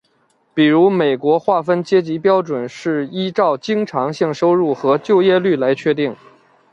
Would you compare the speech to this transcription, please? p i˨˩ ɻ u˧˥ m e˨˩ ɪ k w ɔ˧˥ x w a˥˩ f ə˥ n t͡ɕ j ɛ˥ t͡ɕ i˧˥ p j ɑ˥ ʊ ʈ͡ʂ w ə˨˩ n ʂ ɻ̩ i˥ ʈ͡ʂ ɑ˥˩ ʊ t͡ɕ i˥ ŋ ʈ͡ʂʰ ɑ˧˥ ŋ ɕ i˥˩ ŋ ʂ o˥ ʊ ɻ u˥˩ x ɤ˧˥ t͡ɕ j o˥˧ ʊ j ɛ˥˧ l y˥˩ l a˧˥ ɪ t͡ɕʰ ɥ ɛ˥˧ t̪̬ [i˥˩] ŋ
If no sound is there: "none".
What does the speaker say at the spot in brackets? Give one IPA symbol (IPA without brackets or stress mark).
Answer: i˥˩